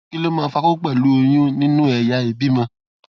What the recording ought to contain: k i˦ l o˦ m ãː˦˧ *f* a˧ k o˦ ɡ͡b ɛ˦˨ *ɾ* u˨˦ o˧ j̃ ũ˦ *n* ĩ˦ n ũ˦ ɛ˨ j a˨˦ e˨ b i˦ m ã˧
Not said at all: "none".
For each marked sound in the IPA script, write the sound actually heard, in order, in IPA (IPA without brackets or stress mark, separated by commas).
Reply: f, l, n